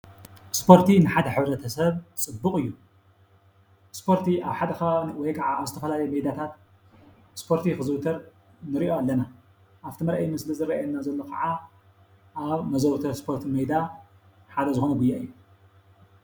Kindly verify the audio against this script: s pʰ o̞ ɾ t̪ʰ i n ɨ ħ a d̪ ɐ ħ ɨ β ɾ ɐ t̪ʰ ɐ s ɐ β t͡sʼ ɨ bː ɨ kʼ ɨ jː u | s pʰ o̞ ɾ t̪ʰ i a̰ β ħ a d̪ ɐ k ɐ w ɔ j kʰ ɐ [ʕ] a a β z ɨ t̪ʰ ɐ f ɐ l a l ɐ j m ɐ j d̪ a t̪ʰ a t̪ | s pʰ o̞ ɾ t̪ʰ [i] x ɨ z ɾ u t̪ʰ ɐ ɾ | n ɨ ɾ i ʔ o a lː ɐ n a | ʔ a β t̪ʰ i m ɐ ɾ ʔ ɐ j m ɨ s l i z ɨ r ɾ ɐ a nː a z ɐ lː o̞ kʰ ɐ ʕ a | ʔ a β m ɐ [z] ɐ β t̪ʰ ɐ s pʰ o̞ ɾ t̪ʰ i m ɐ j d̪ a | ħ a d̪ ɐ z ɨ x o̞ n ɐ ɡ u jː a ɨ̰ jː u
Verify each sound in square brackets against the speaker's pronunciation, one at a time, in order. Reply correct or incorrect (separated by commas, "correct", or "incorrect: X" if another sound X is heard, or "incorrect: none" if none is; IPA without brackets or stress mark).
correct, correct, correct